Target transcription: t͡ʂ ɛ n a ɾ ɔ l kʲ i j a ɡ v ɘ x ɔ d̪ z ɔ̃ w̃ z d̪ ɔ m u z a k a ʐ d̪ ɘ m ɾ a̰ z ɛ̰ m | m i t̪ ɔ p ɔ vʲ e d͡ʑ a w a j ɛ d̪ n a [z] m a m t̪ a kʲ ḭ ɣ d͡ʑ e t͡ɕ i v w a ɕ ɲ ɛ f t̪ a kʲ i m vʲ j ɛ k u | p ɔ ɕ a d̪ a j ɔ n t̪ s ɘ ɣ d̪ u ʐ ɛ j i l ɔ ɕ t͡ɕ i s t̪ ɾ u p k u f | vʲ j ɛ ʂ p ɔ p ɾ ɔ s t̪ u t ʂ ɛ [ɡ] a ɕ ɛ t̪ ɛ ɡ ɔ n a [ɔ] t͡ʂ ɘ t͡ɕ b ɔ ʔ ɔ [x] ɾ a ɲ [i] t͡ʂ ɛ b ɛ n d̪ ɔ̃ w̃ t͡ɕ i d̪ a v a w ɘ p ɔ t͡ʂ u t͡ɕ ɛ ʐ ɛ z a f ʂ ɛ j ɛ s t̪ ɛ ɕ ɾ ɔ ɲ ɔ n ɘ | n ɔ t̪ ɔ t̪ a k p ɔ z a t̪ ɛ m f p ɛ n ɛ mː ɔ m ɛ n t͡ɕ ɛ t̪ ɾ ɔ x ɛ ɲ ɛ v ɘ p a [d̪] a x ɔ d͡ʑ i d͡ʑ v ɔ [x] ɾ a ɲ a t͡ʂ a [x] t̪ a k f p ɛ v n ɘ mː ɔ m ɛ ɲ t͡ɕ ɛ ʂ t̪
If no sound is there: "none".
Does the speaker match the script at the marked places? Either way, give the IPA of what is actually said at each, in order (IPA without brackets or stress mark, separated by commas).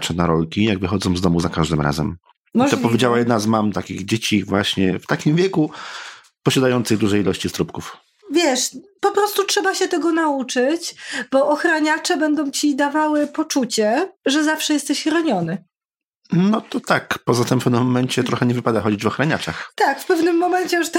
z, b, u, x, a, d̪, x, x